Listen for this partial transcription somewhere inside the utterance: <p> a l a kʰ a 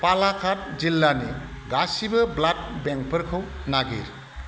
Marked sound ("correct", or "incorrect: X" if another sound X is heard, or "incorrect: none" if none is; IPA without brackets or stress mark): correct